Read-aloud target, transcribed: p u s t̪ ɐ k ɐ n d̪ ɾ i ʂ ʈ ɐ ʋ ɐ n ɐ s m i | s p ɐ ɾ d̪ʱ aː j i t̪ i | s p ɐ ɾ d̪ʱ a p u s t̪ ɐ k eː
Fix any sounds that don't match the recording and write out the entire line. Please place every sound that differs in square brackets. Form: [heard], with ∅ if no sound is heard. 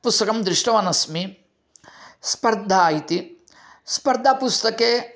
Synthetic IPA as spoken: p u s t̪ ɐ k ɐ [m] d̪ ɾ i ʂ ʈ ɐ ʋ ɐ n ɐ s m i | s p ɐ ɾ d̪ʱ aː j i t̪ i | s p ɐ ɾ d̪ʱ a p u s t̪ ɐ k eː